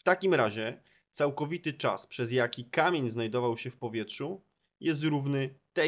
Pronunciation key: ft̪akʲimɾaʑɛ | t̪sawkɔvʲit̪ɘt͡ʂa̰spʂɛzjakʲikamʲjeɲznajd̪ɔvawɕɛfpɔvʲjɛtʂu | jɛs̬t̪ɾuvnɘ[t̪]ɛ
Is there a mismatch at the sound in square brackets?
no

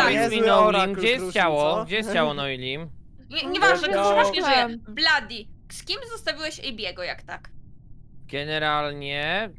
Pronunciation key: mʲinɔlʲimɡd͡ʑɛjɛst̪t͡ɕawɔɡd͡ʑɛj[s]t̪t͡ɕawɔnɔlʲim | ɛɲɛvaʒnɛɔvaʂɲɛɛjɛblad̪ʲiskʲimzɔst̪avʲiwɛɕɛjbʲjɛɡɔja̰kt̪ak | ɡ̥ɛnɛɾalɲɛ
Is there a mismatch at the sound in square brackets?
no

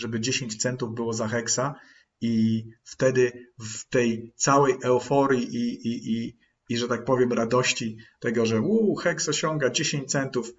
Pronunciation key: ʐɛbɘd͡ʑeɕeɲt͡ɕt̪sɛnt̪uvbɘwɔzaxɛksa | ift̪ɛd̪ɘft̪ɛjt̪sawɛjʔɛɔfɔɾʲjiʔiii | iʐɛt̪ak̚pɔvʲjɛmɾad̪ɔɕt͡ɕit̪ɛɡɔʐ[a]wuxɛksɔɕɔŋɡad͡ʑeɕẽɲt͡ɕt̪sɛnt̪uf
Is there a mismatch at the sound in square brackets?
yes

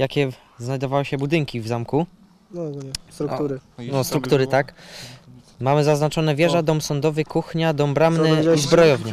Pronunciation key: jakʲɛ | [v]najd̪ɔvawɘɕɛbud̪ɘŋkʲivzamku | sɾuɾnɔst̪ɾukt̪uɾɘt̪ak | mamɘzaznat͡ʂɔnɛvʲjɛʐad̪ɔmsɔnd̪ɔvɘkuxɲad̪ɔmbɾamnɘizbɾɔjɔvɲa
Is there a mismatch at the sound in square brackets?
yes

